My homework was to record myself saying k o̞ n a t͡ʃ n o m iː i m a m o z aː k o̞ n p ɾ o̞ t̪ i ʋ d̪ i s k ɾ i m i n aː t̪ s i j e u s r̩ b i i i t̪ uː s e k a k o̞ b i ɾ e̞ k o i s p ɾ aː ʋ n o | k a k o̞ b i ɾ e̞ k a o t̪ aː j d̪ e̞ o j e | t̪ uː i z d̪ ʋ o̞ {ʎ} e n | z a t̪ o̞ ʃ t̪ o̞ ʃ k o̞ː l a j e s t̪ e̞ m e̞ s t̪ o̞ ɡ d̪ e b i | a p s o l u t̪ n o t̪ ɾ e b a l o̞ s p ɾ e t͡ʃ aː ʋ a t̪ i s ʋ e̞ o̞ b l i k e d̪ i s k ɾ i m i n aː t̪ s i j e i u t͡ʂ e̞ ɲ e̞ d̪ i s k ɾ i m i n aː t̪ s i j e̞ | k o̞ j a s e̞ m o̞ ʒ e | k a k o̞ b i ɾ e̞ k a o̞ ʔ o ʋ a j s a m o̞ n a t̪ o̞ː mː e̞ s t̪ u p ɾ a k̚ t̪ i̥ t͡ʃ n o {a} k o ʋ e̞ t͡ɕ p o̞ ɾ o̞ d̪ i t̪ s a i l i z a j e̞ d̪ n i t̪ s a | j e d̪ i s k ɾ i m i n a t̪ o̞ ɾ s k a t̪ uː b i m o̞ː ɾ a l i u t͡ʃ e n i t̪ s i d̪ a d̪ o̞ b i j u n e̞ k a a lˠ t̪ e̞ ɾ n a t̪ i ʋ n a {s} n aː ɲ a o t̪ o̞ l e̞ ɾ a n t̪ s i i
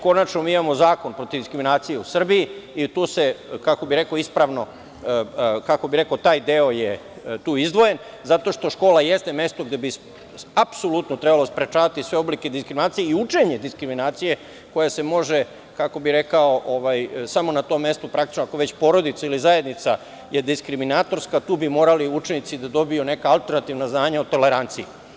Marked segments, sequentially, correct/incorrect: incorrect, correct, incorrect

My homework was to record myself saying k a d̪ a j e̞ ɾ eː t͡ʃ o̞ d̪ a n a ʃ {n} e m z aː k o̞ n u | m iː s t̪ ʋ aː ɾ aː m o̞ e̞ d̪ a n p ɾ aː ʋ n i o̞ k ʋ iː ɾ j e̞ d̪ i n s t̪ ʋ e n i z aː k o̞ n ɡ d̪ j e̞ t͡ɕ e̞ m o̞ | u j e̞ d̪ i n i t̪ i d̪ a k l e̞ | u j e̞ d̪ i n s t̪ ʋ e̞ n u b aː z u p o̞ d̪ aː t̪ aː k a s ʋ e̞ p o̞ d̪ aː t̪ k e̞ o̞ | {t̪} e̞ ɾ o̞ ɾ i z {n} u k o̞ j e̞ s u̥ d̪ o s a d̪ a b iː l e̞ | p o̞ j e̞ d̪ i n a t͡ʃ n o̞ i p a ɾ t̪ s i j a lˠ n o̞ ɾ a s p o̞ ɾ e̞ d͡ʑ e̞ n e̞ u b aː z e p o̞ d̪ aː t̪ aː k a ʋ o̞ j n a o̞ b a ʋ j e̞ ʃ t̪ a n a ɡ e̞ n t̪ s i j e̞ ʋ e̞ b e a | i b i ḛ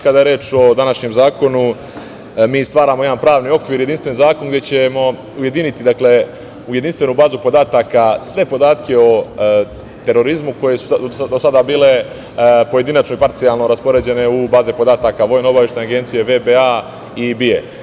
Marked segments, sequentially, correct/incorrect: incorrect, correct, incorrect

